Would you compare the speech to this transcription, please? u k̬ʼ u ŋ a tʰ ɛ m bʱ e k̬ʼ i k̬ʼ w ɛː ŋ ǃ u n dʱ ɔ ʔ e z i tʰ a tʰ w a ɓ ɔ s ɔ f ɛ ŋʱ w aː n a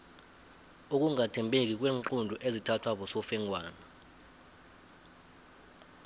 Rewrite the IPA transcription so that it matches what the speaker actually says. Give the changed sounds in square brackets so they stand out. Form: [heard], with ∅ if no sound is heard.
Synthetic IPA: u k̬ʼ u ŋ a tʰ ɛ m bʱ e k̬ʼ i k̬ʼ w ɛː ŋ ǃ u n dʱ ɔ ʔ e z i tʰ a tʰ w a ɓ ɔ s ɔ f ɛ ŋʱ w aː n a